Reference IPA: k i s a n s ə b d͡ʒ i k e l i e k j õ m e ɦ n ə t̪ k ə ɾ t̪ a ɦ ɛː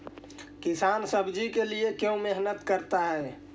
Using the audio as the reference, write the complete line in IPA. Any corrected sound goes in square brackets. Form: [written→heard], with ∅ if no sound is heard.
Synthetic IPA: k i s a n s ə b d͡ʒ i k e l i e k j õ m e ɦ n ə t̪ k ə ɾ t̪ a ɦ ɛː